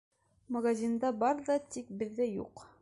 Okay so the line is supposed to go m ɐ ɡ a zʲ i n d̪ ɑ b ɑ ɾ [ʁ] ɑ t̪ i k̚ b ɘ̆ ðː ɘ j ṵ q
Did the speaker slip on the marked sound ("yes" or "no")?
yes